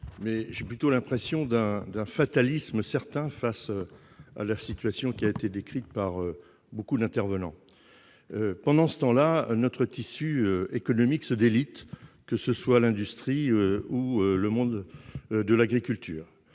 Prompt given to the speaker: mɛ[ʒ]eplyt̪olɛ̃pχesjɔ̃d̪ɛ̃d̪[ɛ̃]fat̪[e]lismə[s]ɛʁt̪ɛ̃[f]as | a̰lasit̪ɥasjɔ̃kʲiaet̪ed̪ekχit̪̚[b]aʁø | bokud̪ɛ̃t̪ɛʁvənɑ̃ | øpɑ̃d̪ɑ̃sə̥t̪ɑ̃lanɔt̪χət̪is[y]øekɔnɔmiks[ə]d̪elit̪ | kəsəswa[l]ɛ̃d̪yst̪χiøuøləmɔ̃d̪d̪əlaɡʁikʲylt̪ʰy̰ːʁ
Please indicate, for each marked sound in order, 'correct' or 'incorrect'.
correct, correct, incorrect, correct, correct, incorrect, correct, correct, correct

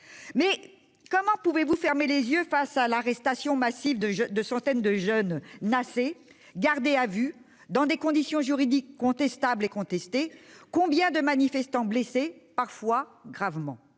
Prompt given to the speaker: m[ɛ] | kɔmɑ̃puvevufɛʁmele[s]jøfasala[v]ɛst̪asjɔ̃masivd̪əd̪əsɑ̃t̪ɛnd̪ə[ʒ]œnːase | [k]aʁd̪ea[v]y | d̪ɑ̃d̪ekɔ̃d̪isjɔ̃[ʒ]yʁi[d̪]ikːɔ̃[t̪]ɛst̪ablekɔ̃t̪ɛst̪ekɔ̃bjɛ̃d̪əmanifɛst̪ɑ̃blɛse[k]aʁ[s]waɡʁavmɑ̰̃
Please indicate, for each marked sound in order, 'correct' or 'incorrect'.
correct, incorrect, incorrect, correct, incorrect, correct, correct, correct, correct, incorrect, incorrect

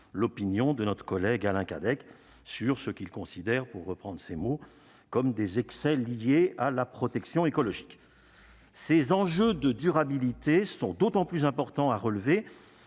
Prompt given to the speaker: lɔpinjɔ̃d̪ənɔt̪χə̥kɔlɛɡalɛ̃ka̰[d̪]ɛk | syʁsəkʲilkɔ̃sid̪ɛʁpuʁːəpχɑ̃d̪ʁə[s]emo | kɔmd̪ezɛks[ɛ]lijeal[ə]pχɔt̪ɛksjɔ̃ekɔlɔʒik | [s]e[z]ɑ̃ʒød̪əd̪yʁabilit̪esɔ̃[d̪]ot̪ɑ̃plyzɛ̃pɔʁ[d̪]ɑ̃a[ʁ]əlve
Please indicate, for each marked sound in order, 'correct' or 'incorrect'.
correct, correct, correct, incorrect, correct, correct, correct, incorrect, correct

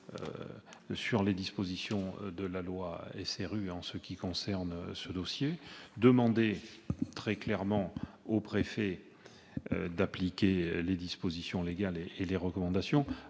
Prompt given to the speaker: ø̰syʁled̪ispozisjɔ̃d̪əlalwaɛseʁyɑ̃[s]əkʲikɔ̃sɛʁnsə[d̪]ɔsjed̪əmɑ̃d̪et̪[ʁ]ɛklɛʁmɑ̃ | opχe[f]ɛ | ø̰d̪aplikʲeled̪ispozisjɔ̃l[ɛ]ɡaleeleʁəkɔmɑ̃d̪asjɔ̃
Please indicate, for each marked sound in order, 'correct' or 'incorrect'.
correct, correct, incorrect, correct, incorrect

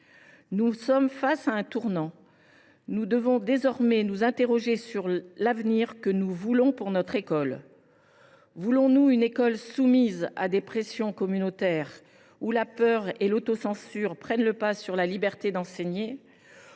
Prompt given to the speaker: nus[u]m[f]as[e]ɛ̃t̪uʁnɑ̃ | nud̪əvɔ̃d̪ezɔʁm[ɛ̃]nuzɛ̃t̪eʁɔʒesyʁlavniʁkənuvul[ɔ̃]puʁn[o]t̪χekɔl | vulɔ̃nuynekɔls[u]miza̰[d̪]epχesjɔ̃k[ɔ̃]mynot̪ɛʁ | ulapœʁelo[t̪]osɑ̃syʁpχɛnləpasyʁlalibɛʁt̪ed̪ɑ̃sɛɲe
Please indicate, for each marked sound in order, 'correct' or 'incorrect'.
incorrect, correct, incorrect, incorrect, correct, incorrect, correct, correct, incorrect, correct

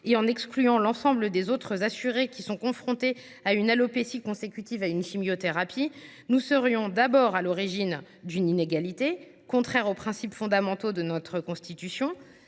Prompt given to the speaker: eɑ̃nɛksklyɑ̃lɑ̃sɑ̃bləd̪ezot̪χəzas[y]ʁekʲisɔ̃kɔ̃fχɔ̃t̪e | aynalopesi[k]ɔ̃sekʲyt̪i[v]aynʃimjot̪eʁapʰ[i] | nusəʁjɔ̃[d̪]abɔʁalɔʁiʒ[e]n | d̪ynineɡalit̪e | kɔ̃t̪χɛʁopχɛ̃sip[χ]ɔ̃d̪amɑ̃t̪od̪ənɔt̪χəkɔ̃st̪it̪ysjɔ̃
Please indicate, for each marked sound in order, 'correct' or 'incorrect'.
correct, correct, correct, correct, correct, incorrect, incorrect

